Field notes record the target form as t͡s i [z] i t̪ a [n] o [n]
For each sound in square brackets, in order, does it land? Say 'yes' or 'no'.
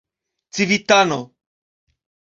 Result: no, yes, no

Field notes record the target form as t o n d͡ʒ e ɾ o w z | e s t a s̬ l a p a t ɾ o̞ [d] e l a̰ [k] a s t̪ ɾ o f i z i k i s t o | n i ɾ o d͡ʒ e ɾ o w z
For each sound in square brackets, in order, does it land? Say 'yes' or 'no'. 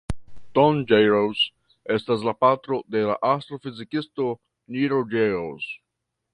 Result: yes, no

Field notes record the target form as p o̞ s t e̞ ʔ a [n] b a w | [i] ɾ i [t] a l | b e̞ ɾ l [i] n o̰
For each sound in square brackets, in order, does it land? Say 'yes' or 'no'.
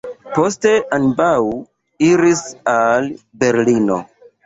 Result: yes, yes, no, yes

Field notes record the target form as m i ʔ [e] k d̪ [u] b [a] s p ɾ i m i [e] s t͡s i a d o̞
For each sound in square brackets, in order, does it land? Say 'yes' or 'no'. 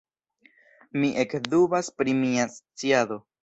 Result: yes, yes, yes, no

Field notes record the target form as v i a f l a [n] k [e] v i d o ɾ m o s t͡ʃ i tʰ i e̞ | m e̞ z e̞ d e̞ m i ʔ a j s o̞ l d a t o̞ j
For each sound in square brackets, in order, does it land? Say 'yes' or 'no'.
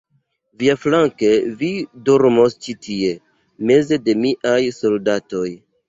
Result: no, yes

